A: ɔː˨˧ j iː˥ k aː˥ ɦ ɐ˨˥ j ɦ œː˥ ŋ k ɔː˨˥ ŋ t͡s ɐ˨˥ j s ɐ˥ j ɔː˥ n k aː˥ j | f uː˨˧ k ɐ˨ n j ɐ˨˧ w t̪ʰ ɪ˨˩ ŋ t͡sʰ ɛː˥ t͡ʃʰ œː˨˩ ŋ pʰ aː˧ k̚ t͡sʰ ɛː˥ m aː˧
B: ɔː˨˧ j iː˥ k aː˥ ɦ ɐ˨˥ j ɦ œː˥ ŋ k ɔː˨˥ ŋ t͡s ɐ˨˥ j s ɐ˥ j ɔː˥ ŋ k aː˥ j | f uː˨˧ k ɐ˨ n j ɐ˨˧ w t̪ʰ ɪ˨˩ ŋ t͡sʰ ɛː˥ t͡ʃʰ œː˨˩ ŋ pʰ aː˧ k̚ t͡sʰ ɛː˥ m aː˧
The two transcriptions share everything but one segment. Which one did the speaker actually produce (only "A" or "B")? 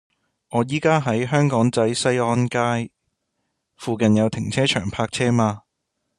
A